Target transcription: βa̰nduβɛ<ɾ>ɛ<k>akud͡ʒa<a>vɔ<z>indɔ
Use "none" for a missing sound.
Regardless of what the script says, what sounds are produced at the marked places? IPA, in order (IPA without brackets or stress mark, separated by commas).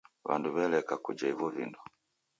l, k, i, v